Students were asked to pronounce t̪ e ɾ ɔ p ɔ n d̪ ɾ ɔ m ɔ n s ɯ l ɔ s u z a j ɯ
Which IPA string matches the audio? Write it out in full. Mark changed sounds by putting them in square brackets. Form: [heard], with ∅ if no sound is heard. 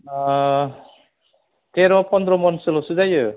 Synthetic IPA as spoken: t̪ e ɾ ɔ p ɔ n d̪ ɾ ɔ m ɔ n s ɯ l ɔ s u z a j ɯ